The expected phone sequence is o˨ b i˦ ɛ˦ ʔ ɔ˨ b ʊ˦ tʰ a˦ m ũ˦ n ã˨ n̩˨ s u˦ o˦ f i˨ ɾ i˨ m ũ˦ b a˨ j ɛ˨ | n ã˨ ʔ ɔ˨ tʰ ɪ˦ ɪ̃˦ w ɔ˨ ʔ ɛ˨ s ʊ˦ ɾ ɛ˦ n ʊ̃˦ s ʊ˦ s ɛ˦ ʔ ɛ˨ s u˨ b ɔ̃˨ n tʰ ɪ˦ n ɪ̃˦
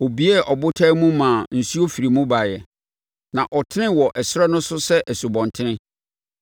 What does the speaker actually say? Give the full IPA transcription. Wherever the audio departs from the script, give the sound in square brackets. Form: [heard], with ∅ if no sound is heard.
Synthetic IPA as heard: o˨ b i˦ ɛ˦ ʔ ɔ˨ b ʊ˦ tʰ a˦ m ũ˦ [m] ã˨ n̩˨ s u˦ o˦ f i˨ ɾ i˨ m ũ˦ b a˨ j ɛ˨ | n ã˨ ʔ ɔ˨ tʰ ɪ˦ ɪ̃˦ w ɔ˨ ʔ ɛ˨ s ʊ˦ ɾ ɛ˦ n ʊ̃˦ s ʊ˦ s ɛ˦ ʔ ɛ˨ s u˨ b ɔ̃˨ n tʰ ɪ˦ n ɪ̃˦